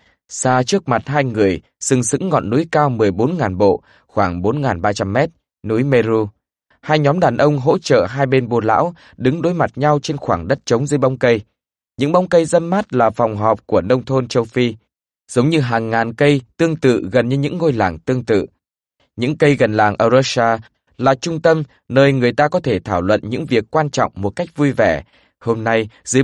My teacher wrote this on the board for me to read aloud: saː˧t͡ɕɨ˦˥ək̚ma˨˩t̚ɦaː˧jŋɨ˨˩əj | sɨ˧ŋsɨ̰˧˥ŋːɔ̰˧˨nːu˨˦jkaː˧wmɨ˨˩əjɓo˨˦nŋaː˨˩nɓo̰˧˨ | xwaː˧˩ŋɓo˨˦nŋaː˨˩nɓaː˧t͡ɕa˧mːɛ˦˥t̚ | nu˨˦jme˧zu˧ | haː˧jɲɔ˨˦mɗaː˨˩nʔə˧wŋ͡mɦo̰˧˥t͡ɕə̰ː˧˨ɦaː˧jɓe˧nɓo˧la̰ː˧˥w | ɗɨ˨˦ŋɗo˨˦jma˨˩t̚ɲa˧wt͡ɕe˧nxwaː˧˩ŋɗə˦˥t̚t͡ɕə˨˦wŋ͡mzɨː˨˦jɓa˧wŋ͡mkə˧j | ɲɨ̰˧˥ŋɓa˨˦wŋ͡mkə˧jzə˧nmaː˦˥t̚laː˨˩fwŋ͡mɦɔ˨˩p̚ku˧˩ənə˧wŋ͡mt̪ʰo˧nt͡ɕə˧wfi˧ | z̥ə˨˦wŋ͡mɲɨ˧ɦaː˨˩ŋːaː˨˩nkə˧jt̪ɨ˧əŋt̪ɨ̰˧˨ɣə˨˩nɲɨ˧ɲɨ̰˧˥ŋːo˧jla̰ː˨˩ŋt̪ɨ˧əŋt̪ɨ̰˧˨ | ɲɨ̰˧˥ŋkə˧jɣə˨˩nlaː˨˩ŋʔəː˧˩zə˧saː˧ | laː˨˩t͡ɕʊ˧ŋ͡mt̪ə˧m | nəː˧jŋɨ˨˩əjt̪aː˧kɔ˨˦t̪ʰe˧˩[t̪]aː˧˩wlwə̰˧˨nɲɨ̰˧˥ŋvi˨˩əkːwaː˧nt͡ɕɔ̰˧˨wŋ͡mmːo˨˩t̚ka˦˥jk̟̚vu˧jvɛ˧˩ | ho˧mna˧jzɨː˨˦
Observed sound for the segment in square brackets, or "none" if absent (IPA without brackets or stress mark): t̪ʰ